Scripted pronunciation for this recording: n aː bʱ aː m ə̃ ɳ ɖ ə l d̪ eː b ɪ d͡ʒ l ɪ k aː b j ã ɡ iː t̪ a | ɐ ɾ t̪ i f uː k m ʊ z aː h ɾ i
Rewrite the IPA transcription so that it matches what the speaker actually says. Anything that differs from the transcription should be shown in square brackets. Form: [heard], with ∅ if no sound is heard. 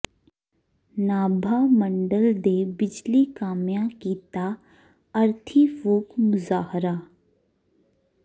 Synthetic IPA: n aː bʱ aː m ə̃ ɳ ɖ ə l d̪ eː b ɪ d͡ʒ l [i] k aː [m] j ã [k] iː t̪ a | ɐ ɾ [t̪ʰ] i f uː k m ʊ z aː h ɾ [a]